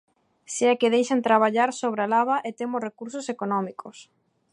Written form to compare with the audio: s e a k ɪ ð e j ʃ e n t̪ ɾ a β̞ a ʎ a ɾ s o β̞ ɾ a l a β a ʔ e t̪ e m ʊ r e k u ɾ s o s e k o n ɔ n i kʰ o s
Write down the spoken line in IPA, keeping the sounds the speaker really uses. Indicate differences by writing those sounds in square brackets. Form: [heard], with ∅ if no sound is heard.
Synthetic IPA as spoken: s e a k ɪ ð e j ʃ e n t̪ ɾ a β̞ a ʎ a ɾ s o β̞ ɾ a l a β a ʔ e t̪ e m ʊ r e k u ɾ s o s e k o n ɔ [m] i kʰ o s